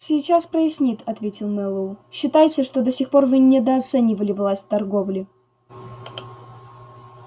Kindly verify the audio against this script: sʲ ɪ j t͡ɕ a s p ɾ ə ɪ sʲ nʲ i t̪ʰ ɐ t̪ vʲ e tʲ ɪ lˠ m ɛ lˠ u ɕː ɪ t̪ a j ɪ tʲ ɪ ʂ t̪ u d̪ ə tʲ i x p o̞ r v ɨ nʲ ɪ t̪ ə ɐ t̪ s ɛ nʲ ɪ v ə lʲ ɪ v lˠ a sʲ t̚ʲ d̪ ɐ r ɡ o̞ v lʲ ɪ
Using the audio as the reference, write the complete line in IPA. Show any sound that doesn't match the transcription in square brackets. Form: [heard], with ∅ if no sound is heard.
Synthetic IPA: sʲ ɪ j t͡ɕ a s p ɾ ə ɪ sʲ nʲ i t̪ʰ ɐ t̪ vʲ e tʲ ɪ lˠ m ɛ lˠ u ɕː ɪ t̪ a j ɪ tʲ ɪ ʂ t̪ [o] d̪ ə [sʲ] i x p o̞ r v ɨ nʲ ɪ [d̪] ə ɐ t̪ s ɛ nʲ ɪ v ə lʲ ɪ v lˠ a sʲ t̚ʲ [t̪] ɐ r ɡ o̞ v lʲ ɪ